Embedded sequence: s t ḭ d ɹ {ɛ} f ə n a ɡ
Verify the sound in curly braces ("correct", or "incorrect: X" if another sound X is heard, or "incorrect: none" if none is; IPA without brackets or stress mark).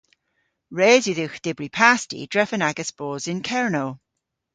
correct